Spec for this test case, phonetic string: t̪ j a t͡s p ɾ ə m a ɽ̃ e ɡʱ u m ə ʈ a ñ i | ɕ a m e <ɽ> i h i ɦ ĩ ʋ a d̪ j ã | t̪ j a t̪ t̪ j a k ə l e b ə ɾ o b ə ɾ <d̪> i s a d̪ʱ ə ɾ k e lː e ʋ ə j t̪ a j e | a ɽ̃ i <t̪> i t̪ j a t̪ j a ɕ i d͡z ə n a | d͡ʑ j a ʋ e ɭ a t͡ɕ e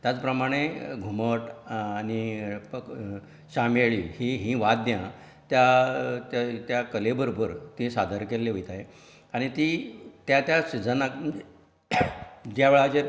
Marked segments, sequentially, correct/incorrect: incorrect: ɭ, incorrect: t̪, correct

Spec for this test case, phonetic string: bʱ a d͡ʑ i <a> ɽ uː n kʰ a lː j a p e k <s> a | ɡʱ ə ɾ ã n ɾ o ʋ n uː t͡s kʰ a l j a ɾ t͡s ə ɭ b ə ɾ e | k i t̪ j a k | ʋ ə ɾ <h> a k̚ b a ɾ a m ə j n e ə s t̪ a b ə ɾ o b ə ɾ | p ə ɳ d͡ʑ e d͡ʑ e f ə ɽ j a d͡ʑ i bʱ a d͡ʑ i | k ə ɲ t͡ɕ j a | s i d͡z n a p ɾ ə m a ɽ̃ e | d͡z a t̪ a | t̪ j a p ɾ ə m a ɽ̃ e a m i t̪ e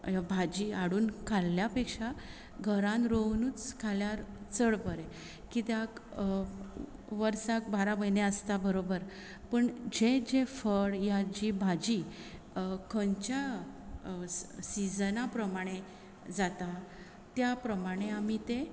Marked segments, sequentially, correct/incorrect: correct, incorrect: ʂ, incorrect: s

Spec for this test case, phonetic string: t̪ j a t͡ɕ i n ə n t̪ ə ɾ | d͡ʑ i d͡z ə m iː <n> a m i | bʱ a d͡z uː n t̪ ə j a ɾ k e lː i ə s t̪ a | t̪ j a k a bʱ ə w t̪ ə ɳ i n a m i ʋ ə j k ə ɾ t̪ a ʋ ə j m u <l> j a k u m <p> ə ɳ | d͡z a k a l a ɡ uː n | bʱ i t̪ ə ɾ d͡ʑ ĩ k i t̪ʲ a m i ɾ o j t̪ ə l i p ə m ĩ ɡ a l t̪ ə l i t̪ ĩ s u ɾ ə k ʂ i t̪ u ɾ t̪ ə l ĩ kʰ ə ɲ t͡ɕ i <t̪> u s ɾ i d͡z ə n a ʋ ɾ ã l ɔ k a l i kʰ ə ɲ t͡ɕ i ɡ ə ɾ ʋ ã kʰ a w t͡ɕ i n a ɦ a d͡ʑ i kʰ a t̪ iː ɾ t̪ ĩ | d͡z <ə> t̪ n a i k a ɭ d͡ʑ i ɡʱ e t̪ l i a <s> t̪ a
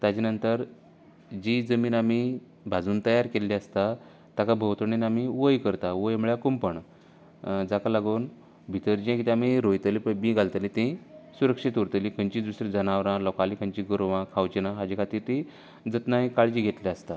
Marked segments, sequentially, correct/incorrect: correct, incorrect: ɭ, correct, incorrect: d̪, correct, correct

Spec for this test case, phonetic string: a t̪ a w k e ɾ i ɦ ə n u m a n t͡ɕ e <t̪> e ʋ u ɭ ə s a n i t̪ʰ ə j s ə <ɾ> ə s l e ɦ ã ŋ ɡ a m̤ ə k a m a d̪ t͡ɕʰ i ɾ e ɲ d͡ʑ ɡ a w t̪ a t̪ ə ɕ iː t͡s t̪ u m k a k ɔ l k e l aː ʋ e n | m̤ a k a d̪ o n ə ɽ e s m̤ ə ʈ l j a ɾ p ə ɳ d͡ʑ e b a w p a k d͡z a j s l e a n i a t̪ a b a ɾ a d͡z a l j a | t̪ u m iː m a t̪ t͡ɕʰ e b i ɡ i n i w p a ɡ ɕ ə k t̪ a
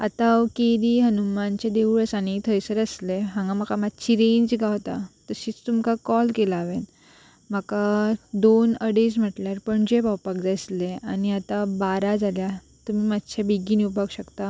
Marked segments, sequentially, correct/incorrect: incorrect: d̪, correct

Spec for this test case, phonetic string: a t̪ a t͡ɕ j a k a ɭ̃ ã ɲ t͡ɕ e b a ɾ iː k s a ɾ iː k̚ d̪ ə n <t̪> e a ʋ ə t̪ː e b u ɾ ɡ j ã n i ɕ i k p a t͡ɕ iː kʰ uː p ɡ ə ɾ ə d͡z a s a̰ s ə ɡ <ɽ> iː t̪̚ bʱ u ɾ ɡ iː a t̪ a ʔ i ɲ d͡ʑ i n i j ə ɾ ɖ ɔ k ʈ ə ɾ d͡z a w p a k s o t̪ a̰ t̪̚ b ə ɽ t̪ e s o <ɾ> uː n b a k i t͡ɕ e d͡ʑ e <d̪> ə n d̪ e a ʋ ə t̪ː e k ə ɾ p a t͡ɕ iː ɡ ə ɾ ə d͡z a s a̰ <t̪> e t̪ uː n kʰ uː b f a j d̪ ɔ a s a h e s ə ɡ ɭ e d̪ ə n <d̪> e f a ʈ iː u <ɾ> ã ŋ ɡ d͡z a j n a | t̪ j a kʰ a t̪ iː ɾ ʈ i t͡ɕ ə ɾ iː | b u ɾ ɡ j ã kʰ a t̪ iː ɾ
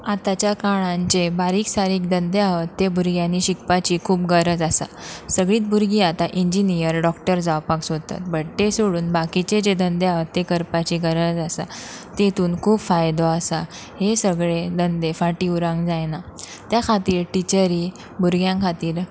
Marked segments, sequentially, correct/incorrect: incorrect: d̪, incorrect: ɭ, incorrect: ɽ, correct, correct, correct, correct

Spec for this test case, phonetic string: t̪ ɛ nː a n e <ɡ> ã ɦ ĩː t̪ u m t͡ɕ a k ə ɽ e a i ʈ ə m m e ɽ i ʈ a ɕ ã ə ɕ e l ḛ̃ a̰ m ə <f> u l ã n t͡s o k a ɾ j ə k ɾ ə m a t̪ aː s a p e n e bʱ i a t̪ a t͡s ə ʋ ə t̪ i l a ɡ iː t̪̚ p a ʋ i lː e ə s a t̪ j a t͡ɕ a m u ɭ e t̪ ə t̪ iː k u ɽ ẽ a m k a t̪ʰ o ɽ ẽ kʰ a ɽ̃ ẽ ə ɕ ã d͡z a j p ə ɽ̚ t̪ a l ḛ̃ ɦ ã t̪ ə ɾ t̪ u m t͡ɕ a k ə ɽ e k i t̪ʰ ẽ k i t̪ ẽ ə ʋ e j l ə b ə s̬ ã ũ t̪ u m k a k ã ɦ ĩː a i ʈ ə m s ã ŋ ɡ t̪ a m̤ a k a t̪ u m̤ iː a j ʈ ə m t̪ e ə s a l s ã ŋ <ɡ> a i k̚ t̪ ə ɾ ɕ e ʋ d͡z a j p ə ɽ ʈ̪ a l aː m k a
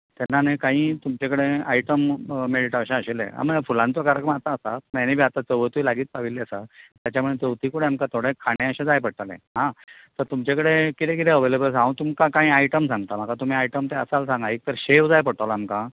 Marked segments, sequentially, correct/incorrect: incorrect: k, correct, correct

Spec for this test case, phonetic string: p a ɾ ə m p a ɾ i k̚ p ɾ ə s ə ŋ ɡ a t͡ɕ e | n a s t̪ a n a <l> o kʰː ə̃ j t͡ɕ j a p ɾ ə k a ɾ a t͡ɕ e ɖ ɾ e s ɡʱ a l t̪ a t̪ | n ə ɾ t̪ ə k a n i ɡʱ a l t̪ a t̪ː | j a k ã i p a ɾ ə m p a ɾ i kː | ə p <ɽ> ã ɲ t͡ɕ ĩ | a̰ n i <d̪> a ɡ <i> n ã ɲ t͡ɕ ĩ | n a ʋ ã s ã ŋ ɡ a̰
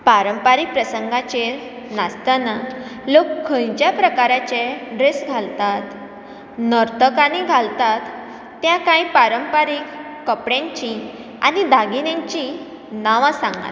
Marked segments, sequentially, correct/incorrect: correct, correct, correct, correct

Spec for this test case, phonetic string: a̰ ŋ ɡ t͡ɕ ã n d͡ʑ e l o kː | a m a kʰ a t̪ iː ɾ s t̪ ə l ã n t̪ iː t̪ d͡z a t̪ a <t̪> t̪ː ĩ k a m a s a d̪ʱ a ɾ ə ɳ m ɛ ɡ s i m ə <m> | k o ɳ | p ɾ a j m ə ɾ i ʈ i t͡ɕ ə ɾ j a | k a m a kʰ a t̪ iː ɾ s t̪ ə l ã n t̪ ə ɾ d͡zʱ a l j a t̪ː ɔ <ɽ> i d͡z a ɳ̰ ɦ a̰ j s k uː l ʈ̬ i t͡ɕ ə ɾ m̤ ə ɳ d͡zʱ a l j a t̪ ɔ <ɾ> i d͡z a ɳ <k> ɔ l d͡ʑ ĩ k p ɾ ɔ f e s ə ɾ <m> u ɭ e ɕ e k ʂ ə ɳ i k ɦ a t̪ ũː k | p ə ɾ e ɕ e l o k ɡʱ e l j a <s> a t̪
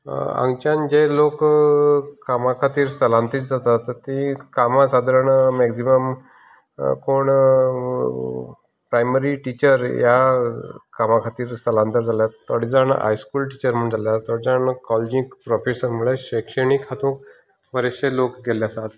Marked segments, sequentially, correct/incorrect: correct, correct, correct, incorrect: ɽ, correct, correct, correct

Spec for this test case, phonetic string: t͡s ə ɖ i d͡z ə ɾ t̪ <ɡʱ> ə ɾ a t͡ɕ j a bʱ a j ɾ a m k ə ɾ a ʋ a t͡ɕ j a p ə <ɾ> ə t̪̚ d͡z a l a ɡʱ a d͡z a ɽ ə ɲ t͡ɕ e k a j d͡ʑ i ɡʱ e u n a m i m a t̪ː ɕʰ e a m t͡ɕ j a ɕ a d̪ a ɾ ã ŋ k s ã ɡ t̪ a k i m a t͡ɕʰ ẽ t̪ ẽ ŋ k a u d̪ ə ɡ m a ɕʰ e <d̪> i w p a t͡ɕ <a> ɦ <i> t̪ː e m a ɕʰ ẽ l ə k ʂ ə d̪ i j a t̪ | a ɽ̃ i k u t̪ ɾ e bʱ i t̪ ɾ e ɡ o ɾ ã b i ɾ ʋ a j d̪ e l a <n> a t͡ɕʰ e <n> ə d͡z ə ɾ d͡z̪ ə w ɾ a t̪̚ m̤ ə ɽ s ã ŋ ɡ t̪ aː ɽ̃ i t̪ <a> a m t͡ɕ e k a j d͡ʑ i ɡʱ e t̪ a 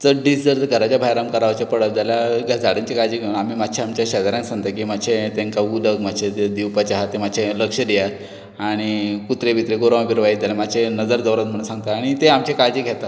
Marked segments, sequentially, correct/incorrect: correct, incorrect: ɽ, correct, correct, incorrect: a, incorrect: m, correct, incorrect: e

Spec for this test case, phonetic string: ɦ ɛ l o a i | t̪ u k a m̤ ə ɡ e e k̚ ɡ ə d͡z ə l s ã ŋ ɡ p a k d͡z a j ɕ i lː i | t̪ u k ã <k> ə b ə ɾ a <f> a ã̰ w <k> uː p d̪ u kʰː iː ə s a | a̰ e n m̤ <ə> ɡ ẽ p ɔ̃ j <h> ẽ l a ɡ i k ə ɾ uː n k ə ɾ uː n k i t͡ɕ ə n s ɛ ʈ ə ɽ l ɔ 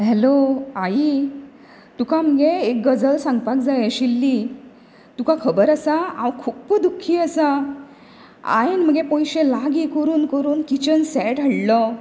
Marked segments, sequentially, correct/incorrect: incorrect: kʰ, incorrect: s, incorrect: kʰ, correct, incorrect: ɕ

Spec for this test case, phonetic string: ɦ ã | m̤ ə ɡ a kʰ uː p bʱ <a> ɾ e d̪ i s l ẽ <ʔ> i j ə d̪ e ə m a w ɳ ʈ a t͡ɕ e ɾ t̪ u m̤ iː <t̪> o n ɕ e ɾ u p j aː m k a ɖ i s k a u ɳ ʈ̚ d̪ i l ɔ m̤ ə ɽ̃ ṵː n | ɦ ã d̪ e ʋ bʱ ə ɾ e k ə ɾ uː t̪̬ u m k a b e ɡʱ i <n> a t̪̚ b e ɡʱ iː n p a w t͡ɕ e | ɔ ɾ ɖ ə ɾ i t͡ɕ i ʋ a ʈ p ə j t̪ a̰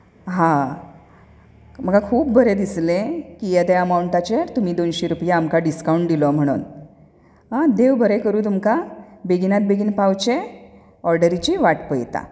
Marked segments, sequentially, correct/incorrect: incorrect: ə, incorrect: k, incorrect: d̪, correct

